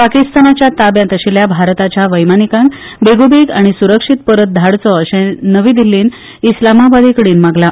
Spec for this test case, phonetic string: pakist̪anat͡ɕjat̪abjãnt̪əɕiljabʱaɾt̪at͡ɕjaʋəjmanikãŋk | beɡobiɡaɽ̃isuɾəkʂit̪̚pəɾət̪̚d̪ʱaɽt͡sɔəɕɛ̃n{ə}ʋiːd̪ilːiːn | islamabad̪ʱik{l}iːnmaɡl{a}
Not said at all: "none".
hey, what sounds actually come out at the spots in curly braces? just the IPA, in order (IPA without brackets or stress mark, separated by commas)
ə, ɽ, a